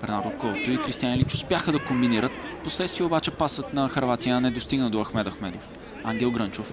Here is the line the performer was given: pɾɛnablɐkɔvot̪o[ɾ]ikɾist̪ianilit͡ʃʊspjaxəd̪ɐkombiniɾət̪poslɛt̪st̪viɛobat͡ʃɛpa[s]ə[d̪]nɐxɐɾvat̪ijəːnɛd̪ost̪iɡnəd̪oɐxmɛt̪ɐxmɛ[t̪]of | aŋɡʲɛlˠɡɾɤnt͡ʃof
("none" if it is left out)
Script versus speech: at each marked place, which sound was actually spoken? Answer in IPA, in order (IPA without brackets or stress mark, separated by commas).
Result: none, s, t̪, d̪